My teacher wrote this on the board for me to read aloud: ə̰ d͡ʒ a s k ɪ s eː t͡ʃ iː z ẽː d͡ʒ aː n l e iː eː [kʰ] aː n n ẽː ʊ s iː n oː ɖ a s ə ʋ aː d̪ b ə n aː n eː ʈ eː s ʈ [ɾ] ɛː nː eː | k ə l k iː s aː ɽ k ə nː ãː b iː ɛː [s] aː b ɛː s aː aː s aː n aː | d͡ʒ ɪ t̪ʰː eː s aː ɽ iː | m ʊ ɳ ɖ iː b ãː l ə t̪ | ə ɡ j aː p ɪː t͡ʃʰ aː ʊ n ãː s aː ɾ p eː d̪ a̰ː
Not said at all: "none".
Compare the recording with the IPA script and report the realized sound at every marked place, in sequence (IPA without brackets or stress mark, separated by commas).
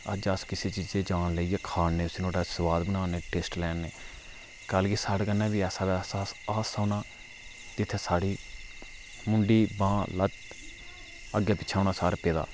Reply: kʰ, l, s